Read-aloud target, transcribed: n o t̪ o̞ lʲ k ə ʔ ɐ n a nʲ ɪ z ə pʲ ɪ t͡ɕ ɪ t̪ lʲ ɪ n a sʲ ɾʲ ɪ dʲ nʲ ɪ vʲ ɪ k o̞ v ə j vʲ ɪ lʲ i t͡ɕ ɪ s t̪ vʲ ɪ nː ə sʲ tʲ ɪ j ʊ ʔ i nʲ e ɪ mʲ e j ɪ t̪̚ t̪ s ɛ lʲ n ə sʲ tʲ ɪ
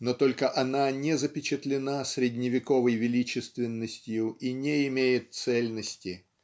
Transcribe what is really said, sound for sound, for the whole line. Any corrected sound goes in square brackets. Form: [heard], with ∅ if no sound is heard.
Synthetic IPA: n o t̪ o̞ lʲ k ə ʔ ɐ n a nʲ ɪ z ə pʲ ɪ t͡ɕ ɪ t̪ lʲ ɪ n a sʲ ɾʲ ɪ dʲ nʲ ɪ vʲ ɪ k o̞ v ə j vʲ ɪ lʲ i t͡ɕ ɪ s t̪ vʲ ɪ nː ə sʲ tʲ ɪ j ʊ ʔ i nʲ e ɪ mʲ e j ɪ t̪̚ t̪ s ɛ lʲ n ə sʲ tʲ ɪ